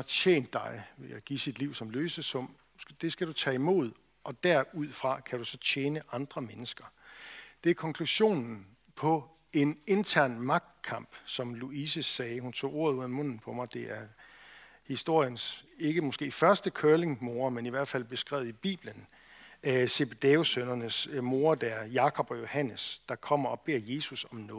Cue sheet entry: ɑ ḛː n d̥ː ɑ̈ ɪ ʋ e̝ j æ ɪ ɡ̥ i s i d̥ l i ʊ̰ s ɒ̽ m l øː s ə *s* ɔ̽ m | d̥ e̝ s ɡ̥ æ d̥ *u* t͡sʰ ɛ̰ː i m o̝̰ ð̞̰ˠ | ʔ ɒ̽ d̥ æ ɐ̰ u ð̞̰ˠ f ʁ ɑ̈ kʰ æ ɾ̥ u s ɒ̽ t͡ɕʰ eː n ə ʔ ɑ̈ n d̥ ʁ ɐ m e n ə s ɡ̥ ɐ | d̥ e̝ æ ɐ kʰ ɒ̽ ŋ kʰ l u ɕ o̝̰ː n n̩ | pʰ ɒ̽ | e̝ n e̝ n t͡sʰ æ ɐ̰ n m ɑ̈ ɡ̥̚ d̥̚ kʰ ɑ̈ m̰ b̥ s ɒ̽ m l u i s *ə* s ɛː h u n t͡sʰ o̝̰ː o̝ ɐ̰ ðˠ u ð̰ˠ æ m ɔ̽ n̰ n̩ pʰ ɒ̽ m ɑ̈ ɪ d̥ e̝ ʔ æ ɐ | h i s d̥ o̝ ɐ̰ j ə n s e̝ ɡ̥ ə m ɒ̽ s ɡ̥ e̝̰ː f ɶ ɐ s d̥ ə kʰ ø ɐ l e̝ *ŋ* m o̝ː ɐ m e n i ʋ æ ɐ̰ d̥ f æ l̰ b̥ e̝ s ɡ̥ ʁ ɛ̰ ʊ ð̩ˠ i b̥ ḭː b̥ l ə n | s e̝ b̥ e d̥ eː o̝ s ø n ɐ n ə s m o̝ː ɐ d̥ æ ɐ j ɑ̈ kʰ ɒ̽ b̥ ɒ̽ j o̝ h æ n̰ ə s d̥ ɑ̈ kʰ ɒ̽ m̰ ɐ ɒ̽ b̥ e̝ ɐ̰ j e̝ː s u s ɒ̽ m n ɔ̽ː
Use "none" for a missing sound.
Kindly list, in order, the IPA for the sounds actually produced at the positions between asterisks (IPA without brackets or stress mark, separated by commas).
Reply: s, u, ə, ŋ